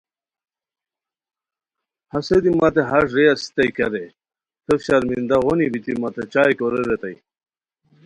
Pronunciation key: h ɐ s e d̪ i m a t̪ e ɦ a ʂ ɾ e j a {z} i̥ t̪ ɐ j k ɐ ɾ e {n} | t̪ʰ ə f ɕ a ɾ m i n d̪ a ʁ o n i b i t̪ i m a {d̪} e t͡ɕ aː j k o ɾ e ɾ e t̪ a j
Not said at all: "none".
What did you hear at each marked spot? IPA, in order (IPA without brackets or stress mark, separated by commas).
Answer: s, none, t̪